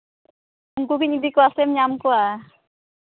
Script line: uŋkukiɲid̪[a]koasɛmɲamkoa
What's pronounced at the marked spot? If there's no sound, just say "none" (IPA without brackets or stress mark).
i